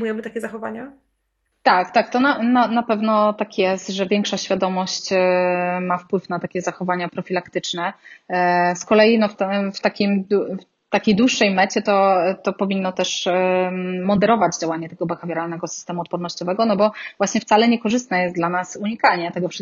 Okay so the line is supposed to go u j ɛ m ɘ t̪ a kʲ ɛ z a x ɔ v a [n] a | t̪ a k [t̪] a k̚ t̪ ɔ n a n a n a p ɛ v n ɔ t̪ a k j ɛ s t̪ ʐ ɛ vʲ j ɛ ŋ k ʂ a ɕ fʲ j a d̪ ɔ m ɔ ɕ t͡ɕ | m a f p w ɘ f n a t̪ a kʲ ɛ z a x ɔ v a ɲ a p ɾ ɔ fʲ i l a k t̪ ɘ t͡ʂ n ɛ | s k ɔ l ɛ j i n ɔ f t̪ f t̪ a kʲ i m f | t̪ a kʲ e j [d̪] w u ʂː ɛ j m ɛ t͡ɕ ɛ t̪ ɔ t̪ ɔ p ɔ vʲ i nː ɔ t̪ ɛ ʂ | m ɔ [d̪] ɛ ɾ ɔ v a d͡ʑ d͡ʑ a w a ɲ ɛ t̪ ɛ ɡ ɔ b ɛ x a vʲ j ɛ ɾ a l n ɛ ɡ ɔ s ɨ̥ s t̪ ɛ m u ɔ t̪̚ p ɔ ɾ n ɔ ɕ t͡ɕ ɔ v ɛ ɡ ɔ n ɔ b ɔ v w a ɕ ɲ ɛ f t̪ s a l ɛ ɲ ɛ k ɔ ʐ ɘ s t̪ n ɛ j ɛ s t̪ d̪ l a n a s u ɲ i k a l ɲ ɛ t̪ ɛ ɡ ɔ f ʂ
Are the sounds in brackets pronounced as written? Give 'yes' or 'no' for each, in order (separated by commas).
no, yes, yes, yes